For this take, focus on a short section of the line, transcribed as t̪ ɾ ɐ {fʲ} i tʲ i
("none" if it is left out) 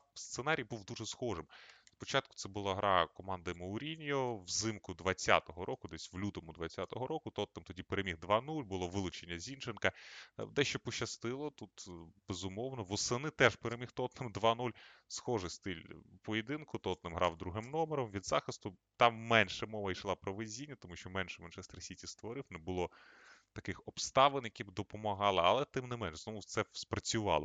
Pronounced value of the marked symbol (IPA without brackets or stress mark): sʲ